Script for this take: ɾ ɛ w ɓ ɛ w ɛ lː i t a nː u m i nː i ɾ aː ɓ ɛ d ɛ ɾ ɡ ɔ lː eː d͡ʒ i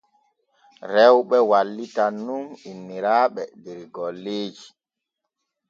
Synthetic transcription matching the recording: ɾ ɛ w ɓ ɛ w a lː i t a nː u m i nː i ɾ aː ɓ ɛ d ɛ ɾ ɡ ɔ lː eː d͡ʒ i